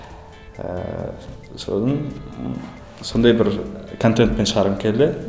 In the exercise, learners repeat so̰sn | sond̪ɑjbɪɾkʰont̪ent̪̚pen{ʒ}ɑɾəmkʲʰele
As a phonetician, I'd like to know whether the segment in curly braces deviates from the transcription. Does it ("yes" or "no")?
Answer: yes